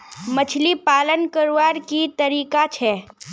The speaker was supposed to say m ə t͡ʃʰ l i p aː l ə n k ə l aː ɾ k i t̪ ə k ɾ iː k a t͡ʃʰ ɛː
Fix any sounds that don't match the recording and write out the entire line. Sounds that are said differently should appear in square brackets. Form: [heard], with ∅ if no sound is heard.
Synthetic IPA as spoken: m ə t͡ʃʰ l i p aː l ə n k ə [ɾ] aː ɾ k i t̪ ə [∅] ɾ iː k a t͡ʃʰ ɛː